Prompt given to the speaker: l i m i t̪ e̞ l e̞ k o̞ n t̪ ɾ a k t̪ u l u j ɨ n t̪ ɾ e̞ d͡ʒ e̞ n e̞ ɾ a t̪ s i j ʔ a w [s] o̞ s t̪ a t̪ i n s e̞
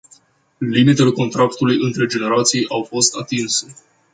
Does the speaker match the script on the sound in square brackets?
no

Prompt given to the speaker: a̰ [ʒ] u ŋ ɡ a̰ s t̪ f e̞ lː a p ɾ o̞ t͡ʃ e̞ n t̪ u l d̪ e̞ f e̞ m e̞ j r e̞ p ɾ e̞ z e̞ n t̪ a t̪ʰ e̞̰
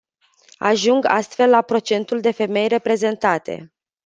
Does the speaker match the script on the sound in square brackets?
yes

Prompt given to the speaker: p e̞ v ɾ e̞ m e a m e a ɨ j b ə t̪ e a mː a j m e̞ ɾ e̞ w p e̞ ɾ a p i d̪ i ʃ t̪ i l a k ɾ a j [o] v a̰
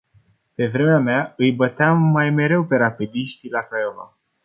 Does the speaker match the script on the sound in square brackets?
yes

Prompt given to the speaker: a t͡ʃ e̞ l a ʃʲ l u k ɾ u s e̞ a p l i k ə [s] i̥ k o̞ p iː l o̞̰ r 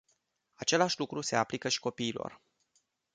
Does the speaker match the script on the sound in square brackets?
no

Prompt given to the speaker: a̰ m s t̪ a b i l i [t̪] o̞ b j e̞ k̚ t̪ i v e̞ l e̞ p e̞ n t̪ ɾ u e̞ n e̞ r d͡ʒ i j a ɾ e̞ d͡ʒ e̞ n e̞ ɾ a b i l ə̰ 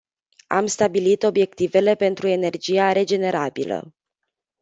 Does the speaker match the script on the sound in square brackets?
yes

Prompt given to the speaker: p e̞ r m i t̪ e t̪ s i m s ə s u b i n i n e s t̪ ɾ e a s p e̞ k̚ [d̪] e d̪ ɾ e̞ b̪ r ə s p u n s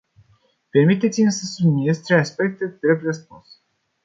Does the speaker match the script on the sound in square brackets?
no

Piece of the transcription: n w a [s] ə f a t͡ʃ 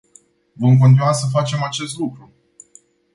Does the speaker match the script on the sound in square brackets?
yes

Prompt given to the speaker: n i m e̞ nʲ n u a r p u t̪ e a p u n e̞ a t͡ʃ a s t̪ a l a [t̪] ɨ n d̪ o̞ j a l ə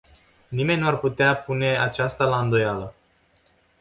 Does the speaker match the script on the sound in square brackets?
no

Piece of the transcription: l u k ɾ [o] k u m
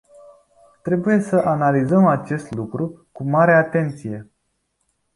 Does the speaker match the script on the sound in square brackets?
no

